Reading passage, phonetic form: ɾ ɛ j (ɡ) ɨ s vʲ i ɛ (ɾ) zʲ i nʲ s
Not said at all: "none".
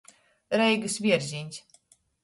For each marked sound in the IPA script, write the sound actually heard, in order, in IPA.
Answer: ɡ, ɾ

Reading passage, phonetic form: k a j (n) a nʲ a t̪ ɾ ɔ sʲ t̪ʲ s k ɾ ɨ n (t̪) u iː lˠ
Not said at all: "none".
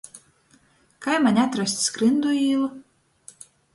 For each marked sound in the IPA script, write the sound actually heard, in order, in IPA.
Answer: m, d̪

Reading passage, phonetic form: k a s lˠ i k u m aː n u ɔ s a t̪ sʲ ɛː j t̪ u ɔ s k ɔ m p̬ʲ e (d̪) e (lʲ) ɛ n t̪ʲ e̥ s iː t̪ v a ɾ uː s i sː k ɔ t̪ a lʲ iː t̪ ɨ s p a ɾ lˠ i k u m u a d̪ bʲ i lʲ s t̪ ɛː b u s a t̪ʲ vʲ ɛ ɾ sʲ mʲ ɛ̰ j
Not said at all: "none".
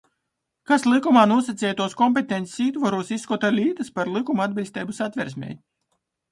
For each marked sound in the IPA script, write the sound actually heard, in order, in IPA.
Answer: t̪, none

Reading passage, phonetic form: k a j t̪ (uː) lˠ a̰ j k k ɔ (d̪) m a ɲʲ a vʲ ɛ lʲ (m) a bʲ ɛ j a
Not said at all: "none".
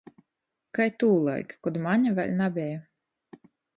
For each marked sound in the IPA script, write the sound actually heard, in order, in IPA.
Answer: uː, d̪, n

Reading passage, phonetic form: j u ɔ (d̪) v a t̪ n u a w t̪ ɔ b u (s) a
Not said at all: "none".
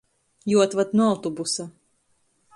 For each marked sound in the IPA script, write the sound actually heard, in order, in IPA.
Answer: t̪, s

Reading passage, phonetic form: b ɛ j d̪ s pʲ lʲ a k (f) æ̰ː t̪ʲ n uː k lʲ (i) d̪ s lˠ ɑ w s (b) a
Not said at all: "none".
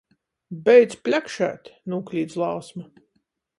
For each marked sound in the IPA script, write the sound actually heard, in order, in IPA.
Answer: ʃ, iː, m

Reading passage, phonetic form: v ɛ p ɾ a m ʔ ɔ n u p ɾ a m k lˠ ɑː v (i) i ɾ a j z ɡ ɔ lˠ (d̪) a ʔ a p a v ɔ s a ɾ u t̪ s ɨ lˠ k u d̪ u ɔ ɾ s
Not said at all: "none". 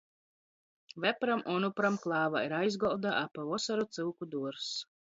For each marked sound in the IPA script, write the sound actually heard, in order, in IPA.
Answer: a, d̪

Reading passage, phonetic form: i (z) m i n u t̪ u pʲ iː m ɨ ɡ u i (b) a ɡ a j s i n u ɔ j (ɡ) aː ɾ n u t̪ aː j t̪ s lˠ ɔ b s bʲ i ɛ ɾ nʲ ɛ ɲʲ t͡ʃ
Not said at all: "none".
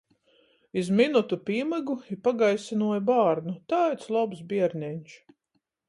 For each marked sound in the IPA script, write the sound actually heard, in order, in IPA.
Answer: z, p, b

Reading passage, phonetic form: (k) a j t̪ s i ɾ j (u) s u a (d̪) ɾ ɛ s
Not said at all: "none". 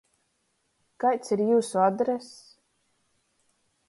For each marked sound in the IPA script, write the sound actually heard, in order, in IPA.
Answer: k, uː, d̪

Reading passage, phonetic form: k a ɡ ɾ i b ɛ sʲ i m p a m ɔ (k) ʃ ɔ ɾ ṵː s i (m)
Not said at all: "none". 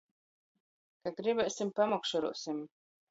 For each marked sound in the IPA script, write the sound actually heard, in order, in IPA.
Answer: k, m

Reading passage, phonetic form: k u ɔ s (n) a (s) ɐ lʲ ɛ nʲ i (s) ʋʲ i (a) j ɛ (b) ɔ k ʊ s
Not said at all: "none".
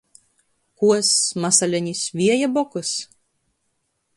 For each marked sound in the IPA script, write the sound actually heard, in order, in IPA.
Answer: m, s, s, ɛ, b

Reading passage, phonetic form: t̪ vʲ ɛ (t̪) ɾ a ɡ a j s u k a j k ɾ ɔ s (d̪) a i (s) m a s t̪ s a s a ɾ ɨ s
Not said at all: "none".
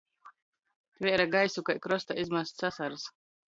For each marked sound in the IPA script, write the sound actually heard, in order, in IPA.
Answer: none, t̪, z

